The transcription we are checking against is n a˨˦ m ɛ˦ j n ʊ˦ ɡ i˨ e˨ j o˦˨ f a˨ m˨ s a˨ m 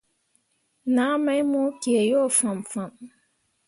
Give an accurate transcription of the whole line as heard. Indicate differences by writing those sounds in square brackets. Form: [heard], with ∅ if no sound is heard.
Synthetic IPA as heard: n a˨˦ m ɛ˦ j [m] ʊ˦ [k] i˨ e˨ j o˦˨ f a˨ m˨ [f] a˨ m